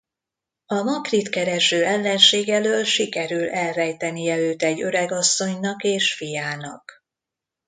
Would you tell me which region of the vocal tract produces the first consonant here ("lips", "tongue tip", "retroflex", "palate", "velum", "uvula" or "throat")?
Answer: lips